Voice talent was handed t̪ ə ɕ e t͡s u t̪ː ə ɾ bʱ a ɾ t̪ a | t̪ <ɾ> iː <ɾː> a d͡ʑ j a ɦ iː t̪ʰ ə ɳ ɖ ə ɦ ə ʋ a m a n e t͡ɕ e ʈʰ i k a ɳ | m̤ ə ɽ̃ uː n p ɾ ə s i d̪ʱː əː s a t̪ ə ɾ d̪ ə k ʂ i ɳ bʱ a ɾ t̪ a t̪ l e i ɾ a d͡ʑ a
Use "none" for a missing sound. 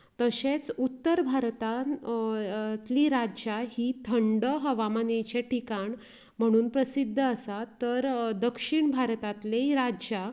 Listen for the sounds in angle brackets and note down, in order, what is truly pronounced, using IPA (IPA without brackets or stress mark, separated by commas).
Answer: l, ɾ